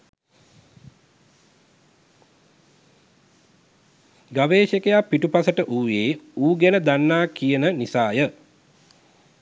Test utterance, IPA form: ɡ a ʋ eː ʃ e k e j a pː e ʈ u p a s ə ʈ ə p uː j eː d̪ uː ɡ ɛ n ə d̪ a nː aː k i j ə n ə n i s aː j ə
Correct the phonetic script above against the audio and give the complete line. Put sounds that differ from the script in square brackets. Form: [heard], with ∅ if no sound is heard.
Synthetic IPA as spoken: ɡ a ʋ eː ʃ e k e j a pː [i] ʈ u p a s ə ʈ ə [ʔ] uː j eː [∅] uː ɡ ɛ n ə d̪ a nː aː k i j ə n ə n i s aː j ə